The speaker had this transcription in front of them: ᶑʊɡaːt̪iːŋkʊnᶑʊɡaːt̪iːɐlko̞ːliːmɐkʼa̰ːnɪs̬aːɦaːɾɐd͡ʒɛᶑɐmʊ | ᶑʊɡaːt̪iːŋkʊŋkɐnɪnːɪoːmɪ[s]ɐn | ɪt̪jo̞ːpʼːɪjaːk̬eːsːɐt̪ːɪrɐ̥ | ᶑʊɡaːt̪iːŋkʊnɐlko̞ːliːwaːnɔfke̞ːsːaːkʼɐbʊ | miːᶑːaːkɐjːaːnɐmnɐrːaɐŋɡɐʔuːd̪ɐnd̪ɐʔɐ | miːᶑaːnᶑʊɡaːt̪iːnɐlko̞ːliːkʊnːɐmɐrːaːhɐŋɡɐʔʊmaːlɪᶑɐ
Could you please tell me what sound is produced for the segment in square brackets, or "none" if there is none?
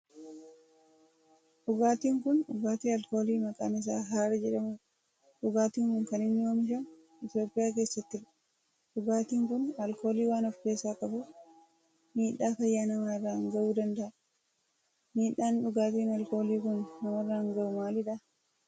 ʃ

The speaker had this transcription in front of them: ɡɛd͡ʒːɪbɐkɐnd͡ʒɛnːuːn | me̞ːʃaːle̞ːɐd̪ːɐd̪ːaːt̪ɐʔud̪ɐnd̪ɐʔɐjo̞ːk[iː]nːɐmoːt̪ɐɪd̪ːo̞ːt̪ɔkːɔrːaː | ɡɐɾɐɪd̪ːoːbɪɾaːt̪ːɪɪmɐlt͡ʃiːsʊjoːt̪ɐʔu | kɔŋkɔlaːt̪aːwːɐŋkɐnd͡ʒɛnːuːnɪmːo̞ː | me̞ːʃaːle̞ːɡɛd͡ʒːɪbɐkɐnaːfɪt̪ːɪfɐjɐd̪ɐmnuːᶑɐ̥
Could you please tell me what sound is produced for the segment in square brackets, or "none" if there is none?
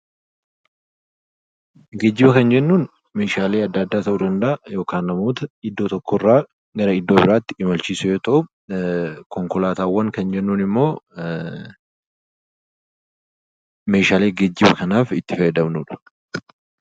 aː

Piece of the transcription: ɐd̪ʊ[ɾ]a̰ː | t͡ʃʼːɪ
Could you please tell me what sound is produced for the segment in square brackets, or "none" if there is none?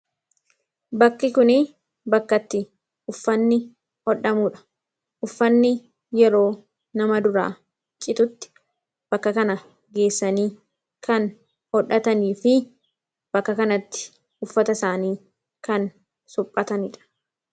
ɾ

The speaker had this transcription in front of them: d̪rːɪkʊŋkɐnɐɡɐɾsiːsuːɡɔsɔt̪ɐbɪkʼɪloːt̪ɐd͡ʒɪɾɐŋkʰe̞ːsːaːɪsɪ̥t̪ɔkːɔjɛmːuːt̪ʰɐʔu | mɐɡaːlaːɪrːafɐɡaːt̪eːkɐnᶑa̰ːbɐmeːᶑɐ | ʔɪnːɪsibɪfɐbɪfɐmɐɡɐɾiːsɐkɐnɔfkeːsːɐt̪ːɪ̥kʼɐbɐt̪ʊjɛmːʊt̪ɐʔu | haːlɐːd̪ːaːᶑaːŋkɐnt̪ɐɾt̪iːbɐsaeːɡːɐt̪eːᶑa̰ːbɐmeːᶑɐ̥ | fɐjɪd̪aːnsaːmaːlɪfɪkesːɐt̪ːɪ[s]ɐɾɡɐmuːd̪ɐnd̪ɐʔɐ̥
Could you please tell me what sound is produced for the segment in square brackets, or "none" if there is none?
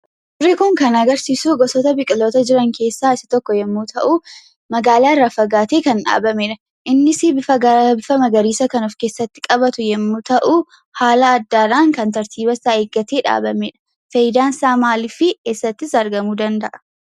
s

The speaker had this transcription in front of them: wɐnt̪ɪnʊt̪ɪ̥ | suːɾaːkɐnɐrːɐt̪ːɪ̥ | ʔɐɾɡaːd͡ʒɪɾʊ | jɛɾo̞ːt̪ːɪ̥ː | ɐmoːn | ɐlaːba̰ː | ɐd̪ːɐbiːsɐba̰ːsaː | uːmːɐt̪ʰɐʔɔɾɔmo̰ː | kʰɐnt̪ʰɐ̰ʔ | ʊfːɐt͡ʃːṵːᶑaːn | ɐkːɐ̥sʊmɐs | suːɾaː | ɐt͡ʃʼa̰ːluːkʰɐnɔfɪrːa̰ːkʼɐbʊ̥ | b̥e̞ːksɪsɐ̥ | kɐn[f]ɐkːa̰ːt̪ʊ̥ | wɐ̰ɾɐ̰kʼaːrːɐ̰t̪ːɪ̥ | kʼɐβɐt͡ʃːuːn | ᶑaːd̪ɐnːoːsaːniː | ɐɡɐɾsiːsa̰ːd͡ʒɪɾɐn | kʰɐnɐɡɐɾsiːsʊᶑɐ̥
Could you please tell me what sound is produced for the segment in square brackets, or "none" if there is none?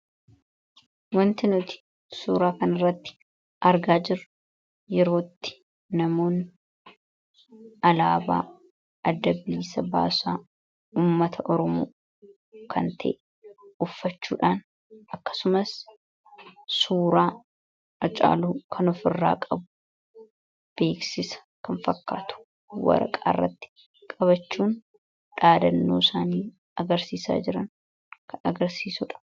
f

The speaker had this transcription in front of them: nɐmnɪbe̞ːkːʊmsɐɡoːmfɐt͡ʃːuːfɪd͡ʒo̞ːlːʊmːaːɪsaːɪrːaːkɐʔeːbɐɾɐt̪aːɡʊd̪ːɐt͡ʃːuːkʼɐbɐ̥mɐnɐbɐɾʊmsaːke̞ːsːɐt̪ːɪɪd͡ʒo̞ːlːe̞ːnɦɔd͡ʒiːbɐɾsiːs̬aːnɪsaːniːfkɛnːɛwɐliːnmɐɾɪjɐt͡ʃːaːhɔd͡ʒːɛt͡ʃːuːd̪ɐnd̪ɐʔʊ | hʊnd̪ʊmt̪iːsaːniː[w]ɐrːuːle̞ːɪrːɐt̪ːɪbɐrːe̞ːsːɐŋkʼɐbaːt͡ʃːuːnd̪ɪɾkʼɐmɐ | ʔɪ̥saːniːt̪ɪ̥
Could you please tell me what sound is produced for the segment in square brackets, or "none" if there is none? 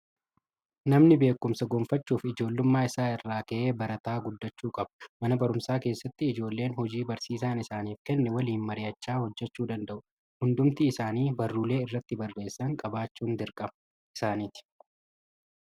b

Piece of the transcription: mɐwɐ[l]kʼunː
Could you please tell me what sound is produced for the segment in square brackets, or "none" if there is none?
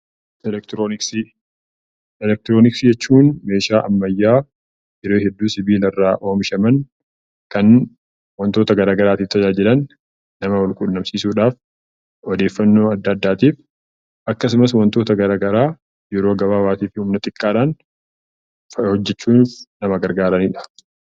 l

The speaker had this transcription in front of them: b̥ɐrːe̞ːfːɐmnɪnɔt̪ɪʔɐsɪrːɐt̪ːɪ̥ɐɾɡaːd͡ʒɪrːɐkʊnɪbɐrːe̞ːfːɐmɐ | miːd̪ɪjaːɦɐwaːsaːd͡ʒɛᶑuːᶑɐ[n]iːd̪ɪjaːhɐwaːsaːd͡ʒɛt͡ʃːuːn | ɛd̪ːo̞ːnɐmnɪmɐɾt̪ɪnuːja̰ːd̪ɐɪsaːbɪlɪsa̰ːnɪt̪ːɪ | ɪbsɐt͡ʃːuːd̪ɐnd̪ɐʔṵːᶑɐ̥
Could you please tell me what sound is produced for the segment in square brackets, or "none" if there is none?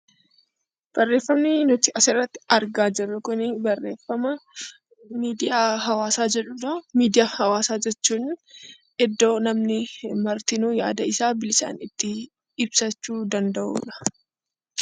m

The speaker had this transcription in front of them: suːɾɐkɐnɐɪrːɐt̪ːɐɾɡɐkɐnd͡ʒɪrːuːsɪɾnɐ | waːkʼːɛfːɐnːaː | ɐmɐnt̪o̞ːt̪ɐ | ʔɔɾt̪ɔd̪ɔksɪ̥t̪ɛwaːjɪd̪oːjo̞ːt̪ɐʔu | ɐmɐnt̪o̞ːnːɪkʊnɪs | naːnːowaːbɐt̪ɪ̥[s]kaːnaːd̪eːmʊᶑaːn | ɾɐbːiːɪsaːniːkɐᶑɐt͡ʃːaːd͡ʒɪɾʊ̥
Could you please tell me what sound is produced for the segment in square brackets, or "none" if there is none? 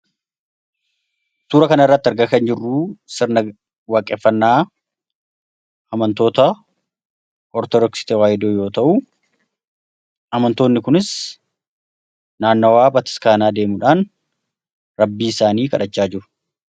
s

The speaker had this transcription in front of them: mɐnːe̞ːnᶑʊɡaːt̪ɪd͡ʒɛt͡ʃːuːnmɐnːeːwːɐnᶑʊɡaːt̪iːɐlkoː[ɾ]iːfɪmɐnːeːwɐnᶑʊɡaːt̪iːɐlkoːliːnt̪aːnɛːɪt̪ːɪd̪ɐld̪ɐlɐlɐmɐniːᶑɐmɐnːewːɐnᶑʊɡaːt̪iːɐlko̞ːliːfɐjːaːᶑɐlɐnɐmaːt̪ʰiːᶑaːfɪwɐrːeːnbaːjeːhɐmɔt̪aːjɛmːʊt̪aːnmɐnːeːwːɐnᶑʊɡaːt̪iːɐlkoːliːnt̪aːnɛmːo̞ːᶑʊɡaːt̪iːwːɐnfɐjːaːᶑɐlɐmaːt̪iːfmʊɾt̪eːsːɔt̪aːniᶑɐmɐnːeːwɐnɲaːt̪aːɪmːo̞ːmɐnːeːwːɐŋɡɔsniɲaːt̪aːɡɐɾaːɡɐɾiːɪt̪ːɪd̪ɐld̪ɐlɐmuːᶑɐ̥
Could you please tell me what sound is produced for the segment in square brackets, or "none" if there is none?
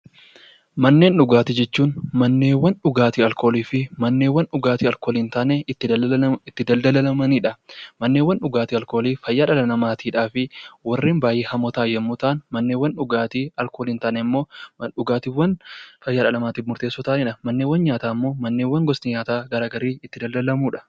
l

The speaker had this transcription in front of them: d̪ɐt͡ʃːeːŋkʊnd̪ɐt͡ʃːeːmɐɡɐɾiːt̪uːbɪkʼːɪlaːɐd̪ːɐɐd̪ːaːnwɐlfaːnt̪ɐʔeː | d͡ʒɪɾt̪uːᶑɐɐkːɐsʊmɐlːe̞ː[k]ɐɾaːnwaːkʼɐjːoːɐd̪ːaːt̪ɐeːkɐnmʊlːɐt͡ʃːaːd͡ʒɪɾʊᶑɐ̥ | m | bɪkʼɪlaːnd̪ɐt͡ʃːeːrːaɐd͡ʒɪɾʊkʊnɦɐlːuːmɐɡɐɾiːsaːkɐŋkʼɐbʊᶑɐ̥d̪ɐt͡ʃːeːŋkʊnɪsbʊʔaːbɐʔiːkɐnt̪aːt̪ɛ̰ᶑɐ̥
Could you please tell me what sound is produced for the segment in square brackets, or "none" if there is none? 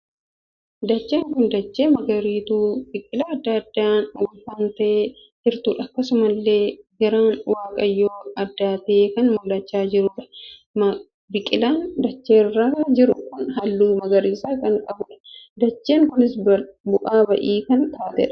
ɡ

